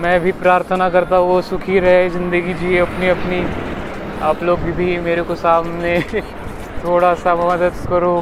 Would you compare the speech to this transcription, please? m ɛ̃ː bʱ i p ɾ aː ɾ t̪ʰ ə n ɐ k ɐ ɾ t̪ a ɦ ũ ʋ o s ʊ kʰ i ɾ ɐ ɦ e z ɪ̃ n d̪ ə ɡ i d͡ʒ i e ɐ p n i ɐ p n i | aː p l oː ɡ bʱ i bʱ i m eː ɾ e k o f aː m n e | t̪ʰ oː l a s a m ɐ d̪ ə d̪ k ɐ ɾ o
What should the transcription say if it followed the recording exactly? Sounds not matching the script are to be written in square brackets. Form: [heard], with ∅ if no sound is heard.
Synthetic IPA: m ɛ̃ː bʱ i p ɾ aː ɾ t̪ʰ ə n [a] k ɐ ɾ t̪ a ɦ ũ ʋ o s ʊ kʰ i ɾ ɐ ɦ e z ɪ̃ n d̪ ə ɡ i d͡ʒ i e ɐ p n i ɐ p n i | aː p l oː ɡ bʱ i bʱ i m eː ɾ e k o [s] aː m n e | t̪ʰ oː [ɽ] a s a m ɐ d̪ ə d̪ k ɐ ɾ o